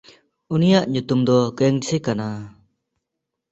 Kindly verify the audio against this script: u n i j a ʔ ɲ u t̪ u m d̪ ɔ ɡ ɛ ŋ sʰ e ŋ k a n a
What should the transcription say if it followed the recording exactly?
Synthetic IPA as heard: u n i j a ʔ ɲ u t̪ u m d̪ ɔ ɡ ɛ ŋ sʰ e k a n a